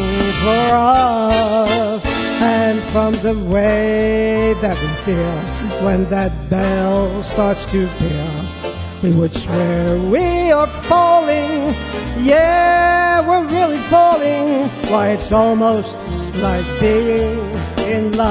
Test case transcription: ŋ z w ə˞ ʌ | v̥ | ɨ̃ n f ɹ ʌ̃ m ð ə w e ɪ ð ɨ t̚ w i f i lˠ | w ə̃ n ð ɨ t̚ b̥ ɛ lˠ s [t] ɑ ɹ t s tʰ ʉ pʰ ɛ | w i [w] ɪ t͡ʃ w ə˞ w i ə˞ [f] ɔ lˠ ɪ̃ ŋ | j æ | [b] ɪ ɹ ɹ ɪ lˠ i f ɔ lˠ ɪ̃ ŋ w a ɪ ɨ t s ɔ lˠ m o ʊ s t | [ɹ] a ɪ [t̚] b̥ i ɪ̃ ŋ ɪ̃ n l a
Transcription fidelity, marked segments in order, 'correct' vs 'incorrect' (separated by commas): correct, correct, correct, incorrect, incorrect, incorrect